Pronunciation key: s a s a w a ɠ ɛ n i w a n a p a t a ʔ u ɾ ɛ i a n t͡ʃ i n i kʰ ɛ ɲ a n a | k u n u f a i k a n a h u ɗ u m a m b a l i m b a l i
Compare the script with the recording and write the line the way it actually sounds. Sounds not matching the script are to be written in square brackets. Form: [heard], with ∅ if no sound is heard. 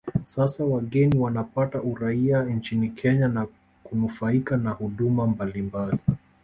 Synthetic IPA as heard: s a s a w a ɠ ɛ n i w a n a p a t a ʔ u ɾ [a] i a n t͡ʃ i n i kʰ ɛ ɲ a n a | k u n u f a i k a n a h u ɗ u m a m b a l i m b a l i